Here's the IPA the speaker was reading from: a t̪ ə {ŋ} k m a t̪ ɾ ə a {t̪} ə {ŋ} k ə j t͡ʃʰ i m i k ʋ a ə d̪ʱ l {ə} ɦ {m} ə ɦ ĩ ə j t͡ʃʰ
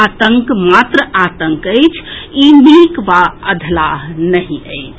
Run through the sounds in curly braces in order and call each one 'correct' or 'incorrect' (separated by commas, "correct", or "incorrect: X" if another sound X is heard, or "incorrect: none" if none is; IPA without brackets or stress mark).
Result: correct, correct, correct, incorrect: a, incorrect: n